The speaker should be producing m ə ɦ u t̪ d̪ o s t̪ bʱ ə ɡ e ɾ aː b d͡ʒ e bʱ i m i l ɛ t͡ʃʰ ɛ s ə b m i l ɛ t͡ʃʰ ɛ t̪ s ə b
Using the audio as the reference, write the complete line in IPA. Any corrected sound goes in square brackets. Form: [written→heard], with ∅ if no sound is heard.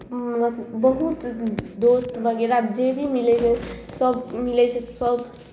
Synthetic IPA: [m→b] ə ɦ u t̪ d̪ o s t̪ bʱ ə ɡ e ɾ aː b d͡ʒ e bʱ i m i l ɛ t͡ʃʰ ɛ s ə b m i l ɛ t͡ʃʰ ɛ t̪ s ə b